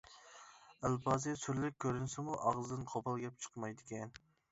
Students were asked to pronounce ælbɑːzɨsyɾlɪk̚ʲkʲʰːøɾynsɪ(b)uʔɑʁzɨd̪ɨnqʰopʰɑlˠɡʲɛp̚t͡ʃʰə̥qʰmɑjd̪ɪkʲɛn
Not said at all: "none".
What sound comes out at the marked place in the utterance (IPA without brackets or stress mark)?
m